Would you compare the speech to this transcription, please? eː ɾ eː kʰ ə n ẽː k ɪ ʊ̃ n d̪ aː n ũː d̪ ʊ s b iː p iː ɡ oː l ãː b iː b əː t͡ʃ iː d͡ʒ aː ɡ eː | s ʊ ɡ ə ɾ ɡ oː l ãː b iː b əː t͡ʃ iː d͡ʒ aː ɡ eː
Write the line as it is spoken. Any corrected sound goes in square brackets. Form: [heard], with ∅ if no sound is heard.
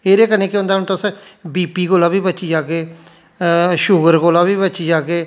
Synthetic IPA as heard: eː ɾ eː [k] ə n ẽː k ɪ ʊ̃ n d̪ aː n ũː [t̪] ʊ s b iː p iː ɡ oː l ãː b iː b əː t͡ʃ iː d͡ʒ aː ɡ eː | [ʃ] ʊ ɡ ə ɾ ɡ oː l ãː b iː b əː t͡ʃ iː d͡ʒ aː ɡ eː